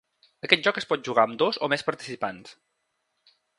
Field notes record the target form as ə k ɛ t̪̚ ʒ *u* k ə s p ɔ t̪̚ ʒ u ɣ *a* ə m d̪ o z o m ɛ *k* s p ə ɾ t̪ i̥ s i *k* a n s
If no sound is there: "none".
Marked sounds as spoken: ɔ, a, none, p

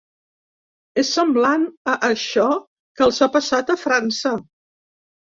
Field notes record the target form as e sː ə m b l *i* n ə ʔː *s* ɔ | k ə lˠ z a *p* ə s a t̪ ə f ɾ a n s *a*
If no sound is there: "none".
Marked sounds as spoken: a, ʃ, p, ə

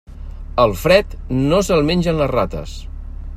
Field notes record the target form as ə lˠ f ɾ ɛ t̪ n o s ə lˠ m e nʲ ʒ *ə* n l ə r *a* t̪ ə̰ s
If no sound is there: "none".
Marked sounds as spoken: ə, a

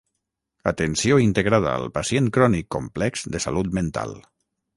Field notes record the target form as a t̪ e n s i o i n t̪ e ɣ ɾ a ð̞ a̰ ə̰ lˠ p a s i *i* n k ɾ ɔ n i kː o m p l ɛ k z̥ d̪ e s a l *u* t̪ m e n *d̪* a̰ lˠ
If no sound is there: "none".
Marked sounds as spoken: e, u, t̪

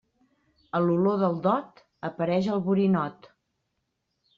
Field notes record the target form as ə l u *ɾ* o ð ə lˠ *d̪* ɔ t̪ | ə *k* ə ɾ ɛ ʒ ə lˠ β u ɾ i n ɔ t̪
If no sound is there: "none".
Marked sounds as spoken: l, d̪, p

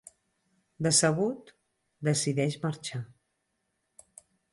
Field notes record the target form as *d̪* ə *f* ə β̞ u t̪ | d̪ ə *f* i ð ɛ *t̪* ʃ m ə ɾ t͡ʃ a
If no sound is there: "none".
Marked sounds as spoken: d̪, s, s, none

